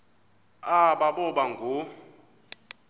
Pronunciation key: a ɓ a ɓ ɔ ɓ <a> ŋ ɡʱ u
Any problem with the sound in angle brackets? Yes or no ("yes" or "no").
no